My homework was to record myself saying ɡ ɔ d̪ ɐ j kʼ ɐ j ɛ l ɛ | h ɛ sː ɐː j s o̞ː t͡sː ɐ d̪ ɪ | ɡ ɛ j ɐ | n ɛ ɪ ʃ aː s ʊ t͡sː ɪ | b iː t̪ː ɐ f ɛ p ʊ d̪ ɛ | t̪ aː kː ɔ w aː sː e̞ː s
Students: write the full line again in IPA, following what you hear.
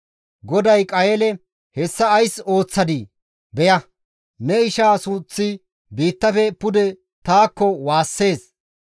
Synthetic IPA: ɡ ɔ d̪ ɐ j kʼ ɐ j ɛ l ɛ | h ɛ sː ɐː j s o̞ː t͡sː ɐ d̪ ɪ | b ɛ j ɐ | n ɛ ɪ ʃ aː s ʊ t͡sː ɪ | b iː t̪ː ɐ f ɛ p ʊ d̪ ɛ | t̪ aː kː ɔ w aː sː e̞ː s

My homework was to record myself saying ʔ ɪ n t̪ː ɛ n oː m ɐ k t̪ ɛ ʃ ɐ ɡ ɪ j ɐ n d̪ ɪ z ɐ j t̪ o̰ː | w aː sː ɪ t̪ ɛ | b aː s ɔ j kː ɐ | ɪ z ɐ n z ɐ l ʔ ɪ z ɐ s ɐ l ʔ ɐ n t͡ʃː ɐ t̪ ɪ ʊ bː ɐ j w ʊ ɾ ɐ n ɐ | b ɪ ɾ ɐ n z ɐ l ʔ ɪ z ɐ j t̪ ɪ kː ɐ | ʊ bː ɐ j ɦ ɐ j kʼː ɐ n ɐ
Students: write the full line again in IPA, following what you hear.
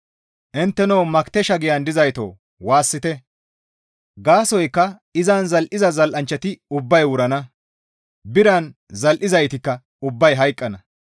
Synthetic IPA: ʔ ɪ n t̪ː ɛ n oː m ɐ k t̪ ɛ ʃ ɐ ɡ ɪ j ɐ n d̪ ɪ z ɐ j t̪ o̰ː | w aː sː ɪ t̪ ɛ | ɡ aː s ɔ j kː ɐ | ɪ z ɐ n z ɐ l ʔ ɪ z ɐ z ɐ l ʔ ɐ n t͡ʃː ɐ t̪ ɪ ʊ bː ɐ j w ʊ ɾ ɐ n ɐ | b ɪ ɾ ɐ n z ɐ l ʔ ɪ z ɐ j t̪ ɪ kː ɐ | ʊ bː ɐ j ɦ ɐ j kʼː ɐ n ɐ

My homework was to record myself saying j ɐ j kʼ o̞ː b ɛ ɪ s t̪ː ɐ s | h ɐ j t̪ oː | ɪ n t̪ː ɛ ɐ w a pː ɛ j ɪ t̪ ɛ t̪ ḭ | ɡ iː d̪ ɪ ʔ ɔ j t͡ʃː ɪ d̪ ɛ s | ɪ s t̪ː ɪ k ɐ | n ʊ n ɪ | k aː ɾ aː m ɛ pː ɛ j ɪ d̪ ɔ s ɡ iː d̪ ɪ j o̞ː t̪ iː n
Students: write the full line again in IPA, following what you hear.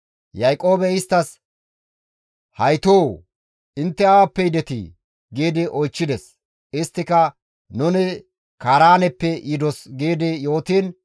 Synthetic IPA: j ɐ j kʼ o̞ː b ɛ ɪ s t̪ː ɐ s | h ɐ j t̪ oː | ɪ n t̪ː ɛ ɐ w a pː ɛ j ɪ d̪ ɛ t̪ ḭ | ɡ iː d̪ ɪ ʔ ɔ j t͡ʃː ɪ d̪ ɛ s | ɪ s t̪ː ɪ k ɐ | n ʊ n ɪ | k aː ɾ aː n ɛ pː ɛ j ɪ d̪ ɔ s ɡ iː d̪ ɪ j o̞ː t̪ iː n

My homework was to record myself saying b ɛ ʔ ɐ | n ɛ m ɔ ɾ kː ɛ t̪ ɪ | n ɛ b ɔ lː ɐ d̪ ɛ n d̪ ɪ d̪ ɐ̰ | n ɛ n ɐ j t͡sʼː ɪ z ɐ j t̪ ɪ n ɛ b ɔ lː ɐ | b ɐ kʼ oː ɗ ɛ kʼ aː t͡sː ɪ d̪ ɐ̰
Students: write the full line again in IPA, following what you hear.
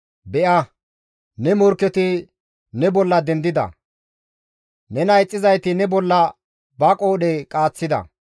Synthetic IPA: b ɛ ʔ ɐ | n ɛ m ɔ ɾ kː ɛ t̪ ɪ | n ɛ b ɔ lː ɐ d̪ ɛ n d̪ ɪ d̪ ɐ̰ | n ɛ n ɐ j t͡sʼː ɪ z ɐ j t̪ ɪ n ɛ b ɔ lː ɐ | b ɐ kʼ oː ɗ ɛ kʼ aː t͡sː ɪ d̪ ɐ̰

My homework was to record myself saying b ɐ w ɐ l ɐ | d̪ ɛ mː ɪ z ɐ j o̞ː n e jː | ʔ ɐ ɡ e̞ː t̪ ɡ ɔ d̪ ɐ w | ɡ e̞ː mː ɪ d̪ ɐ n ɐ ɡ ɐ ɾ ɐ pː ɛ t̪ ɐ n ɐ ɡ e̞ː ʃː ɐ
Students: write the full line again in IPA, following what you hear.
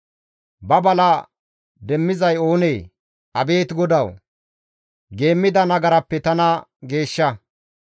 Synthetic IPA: b ɐ b ɐ l ɐ | d̪ ɛ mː ɪ z ɐ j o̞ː n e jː | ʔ ɐ b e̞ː t̪ ɡ ɔ d̪ ɐ w | ɡ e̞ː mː ɪ d̪ ɐ n ɐ ɡ ɐ ɾ ɐ pː ɛ t̪ ɐ n ɐ ɡ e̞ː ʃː ɐ

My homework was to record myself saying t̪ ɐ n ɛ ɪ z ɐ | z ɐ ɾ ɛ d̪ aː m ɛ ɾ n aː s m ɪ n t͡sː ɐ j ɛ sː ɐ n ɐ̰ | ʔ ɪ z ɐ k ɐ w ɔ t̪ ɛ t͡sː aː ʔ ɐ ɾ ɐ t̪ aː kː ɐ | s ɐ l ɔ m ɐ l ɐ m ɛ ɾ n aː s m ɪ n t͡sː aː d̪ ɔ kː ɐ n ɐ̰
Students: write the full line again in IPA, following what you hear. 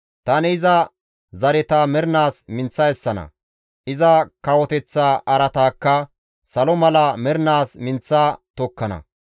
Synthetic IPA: t̪ ɐ n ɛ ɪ z ɐ | z ɐ ɾ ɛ t̪ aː m ɛ ɾ n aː s m ɪ n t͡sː ɐ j ɛ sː ɐ n ɐ̰ | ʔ ɪ z ɐ k ɐ w ɔ t̪ ɛ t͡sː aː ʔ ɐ ɾ ɐ t̪ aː kː ɐ | s ɐ l ɔ m ɐ l ɐ m ɛ ɾ n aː s m ɪ n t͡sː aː t̪ ɔ kː ɐ n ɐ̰

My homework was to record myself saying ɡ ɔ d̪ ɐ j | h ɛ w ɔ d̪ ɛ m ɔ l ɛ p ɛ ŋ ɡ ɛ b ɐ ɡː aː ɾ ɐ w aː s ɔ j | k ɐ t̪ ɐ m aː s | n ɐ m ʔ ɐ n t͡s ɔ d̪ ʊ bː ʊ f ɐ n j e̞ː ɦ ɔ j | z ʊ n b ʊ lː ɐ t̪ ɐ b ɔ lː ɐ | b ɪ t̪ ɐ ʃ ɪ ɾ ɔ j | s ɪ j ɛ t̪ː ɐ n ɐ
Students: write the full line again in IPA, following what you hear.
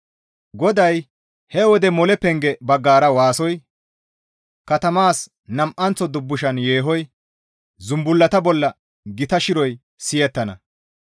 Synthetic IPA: ɡ ɔ d̪ ɐ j | h ɛ w ɔ d̪ ɛ m ɔ l ɛ p ɛ ŋ ɡ ɛ b ɐ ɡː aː ɾ ɐ w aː s ɔ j | k ɐ t̪ ɐ m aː s | n ɐ m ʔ ɐ n t͡s ɔ d̪ ʊ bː ʊ ʃ ɐ n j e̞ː ɦ ɔ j | z ʊ m b ʊ lː ɐ t̪ ɐ b ɔ lː ɐ | ɡ ɪ t̪ ɐ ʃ ɪ ɾ ɔ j | s ɪ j ɛ t̪ː ɐ n ɐ

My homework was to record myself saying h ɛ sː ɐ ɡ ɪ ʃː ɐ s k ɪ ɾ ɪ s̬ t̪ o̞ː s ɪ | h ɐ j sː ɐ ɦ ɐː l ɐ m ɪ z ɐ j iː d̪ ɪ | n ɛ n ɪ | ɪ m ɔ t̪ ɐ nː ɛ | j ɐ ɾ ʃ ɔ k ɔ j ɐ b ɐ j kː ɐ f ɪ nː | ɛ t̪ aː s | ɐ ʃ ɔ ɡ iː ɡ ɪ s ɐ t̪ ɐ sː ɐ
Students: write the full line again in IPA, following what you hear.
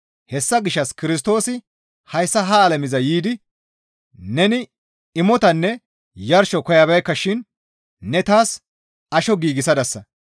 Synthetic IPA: h ɛ sː ɐ ɡ ɪ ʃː ɐ s k ɪ ɾ ɪ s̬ t̪ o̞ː s ɪ | h ɐ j sː ɐ ɦ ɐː l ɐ m ɪ z ɐ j iː d̪ ɪ | n ɛ n ɪ | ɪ m ɔ t̪ ɐ nː ɛ | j ɐ ɾ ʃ ɔ k ɔ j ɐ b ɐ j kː ɐ ʃ ɪ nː | ɛ t̪ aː s | ɐ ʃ ɔ ɡ iː ɡ ɪ s ɐ d̪ ɐ sː ɐ

